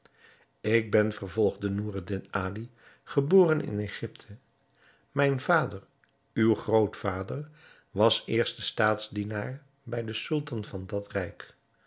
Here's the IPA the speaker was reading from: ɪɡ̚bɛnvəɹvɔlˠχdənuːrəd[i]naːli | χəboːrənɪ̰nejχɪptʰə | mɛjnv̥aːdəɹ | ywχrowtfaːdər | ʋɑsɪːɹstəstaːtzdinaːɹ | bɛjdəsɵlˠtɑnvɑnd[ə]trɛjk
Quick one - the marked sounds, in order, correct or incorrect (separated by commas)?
incorrect, incorrect